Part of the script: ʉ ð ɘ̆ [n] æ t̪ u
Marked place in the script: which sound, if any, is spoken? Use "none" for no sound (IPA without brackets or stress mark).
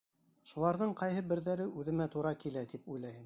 m